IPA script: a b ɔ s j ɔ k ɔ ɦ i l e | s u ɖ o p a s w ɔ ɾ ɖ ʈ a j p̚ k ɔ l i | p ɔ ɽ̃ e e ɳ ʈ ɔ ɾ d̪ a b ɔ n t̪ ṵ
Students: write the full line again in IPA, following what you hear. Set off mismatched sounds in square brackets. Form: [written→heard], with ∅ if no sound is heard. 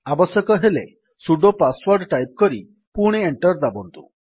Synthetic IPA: a b ɔ s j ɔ k ɔ ɦ [i→e] l e | s u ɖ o p a s w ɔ ɾ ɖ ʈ a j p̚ k ɔ [l→ɾ] i | p [ɔ→u] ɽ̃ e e ɳ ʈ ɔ ɾ d̪ a b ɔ n t̪ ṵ